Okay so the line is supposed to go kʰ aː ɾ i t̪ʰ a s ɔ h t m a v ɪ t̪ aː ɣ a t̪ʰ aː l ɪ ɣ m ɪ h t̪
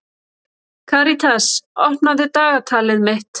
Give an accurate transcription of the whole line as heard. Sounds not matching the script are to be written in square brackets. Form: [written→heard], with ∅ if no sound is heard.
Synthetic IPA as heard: kʰ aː ɾ i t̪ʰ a s ɔ h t [m→n] a [v→ð] ɪ t̪ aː ɣ a t̪ʰ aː l ɪ [ɣ→ð] m ɪ h t̪